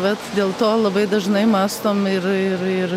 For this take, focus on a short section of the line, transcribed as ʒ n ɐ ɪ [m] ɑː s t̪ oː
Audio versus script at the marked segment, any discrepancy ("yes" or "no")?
no